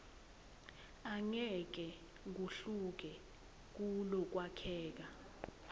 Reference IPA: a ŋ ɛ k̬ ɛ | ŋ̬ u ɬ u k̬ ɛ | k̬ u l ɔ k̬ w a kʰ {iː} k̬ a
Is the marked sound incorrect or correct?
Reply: incorrect